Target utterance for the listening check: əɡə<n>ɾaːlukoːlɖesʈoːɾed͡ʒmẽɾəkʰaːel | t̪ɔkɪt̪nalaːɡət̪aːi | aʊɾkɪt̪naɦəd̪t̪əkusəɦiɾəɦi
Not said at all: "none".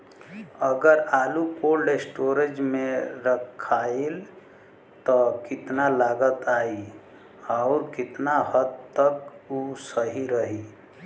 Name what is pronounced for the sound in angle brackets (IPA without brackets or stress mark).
none